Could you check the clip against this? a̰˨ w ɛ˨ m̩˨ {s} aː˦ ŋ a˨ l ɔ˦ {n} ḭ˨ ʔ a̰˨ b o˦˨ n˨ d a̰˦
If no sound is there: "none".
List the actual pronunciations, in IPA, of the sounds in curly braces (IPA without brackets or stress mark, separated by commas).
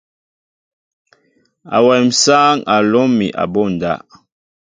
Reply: s, m